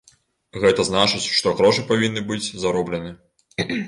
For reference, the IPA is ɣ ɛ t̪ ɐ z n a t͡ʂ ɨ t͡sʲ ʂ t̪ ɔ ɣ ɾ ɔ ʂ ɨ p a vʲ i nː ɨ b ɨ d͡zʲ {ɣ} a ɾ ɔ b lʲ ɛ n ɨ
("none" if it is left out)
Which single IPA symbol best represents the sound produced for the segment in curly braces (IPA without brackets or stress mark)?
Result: z